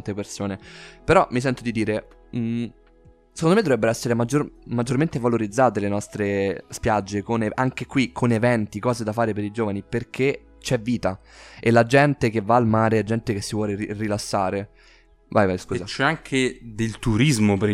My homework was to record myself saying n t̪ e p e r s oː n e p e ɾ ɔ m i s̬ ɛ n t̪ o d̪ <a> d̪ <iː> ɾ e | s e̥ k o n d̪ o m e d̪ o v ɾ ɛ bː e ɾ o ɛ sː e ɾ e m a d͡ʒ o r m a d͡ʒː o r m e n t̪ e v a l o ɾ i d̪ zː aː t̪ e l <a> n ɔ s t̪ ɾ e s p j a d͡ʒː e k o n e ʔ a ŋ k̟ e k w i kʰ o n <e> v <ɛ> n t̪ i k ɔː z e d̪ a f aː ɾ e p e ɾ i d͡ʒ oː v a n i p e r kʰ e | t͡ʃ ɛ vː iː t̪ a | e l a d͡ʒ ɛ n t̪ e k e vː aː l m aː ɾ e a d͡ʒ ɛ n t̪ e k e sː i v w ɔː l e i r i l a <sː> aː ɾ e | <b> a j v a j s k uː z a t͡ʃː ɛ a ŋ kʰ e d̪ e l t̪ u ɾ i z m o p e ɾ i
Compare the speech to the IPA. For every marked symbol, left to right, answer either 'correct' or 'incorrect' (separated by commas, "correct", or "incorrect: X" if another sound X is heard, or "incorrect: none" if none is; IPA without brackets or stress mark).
incorrect: i, correct, incorrect: e, correct, correct, correct, incorrect: v